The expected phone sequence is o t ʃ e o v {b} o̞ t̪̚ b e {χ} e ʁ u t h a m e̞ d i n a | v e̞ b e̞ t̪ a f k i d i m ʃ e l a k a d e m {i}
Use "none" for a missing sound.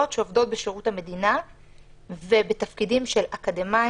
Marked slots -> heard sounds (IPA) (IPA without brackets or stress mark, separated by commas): d, ʃ, a